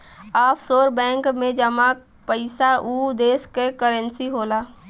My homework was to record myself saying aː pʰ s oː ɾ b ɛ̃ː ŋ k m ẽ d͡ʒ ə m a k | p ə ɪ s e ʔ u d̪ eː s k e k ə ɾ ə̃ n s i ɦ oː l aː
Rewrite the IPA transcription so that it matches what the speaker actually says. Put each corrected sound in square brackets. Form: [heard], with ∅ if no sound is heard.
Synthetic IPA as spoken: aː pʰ s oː ɾ b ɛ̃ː ŋ k m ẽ d͡ʒ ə m a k | p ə ɪ s [a] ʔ u d̪ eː s k e k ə ɾ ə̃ n s i ɦ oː l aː